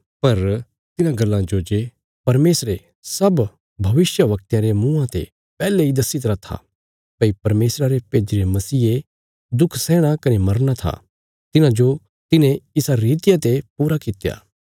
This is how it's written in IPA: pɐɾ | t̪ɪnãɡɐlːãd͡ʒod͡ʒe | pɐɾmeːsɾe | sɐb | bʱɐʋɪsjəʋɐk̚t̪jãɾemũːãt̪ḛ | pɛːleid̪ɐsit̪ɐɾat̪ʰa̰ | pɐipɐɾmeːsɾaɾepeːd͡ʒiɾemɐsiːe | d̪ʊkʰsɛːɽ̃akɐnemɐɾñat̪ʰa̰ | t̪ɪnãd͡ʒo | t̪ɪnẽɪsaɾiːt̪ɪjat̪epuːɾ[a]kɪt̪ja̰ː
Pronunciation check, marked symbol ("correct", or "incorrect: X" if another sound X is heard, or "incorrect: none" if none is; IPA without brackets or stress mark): correct